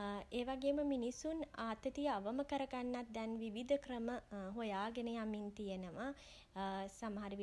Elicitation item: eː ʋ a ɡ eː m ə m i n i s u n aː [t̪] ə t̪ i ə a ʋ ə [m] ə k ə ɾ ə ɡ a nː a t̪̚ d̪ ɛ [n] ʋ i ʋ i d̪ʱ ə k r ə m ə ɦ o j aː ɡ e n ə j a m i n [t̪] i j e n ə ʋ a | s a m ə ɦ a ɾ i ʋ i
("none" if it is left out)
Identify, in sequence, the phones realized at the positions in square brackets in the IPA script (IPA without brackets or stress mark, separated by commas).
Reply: t̪, m, n, t̪